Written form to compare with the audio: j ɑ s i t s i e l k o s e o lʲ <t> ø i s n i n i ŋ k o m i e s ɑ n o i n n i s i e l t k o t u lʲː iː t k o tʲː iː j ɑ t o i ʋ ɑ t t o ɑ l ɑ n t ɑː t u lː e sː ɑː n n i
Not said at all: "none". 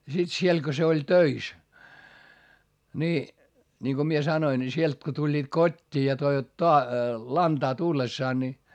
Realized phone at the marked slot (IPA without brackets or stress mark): t